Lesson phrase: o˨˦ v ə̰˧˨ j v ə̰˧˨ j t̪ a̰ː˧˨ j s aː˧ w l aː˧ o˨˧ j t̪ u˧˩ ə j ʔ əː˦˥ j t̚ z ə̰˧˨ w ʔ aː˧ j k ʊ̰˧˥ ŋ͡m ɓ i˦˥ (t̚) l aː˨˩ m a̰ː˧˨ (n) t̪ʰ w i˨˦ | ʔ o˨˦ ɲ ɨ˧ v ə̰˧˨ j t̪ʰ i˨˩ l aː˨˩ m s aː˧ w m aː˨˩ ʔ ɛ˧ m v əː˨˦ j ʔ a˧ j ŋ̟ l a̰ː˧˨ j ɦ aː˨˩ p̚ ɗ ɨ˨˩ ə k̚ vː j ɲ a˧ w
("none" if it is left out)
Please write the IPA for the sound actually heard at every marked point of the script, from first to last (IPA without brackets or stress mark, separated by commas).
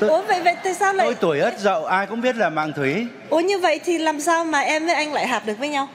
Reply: t̚, ŋ